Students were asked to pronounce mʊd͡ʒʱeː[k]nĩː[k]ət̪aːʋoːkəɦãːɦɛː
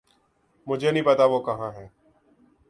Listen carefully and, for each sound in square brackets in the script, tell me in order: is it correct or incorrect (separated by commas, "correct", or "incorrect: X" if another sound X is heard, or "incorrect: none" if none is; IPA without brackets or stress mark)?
incorrect: none, incorrect: p